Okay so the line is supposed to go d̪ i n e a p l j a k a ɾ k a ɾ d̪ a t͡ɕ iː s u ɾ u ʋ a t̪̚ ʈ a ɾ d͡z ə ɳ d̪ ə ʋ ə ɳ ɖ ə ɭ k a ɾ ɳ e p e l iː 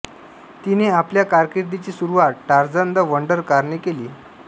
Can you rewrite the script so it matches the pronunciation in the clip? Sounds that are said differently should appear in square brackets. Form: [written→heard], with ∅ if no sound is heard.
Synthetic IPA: [d̪→t̪] i n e a p l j a k a ɾ k [a→i] ɾ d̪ [a→i] t͡ɕ iː s u ɾ u ʋ a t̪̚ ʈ a ɾ d͡z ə [ɳ→n] d̪ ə ʋ ə ɳ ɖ ə [ɭ→ɾ] k a ɾ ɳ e [p→k] e l iː